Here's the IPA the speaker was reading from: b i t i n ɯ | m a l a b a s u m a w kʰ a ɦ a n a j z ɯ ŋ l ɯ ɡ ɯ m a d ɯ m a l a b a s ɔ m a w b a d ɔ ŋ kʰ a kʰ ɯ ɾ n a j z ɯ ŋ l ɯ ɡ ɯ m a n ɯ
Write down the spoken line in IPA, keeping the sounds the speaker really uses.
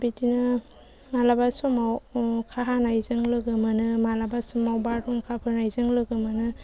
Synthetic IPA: b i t i n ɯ | m a l a b a s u m a w kʰ a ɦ a n a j z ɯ ŋ l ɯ ɡ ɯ m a n ɯ m a l a b a s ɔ m a w b a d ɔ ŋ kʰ a pʰ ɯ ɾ n a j z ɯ ŋ l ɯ ɡ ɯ m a n ɯ